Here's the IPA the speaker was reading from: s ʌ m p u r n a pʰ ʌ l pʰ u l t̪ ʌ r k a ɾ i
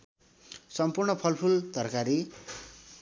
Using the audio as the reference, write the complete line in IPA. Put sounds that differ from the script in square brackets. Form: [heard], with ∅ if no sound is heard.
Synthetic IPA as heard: s ʌ m p u r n [ʌ] pʰ ʌ l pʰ u l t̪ ʌ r k a ɾ i